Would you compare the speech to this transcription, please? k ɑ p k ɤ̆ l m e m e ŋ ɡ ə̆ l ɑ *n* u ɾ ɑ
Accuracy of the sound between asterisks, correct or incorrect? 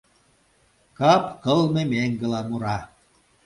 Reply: incorrect